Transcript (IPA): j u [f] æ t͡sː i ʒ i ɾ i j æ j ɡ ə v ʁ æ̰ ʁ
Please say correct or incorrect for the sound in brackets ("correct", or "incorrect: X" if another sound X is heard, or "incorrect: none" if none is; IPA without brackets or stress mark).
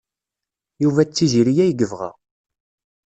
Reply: incorrect: v